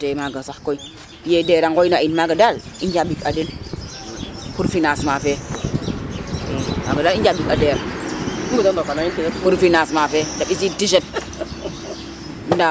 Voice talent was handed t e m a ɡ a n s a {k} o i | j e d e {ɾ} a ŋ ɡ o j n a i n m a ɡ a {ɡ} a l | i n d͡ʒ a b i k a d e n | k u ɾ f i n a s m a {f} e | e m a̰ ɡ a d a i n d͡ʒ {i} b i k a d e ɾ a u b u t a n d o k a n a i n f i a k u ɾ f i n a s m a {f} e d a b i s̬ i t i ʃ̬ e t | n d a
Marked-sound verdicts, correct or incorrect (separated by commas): correct, correct, incorrect, correct, incorrect, correct